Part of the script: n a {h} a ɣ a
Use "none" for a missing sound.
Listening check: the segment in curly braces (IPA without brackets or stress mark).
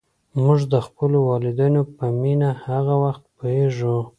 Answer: h